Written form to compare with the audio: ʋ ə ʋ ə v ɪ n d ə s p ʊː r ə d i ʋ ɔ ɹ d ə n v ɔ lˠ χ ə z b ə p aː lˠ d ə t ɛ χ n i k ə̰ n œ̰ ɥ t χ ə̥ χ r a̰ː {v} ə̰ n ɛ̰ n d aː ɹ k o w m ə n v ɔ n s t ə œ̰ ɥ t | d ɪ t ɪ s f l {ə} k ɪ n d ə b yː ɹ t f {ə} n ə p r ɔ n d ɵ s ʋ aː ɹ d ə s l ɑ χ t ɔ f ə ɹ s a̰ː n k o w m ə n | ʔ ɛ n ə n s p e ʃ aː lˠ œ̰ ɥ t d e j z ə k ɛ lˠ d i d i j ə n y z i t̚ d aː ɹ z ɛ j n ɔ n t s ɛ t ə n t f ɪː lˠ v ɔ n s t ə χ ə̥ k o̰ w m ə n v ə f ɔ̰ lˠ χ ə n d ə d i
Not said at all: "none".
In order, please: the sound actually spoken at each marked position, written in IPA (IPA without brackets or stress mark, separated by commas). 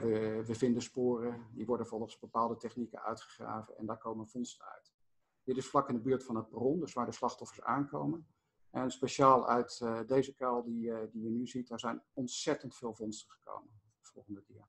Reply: v, ɑ, ɑ